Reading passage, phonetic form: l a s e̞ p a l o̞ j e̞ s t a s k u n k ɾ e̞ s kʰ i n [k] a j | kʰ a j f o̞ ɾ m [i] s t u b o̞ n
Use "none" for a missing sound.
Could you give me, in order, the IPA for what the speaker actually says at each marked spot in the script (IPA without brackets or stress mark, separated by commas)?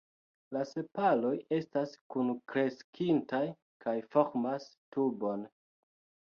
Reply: t, a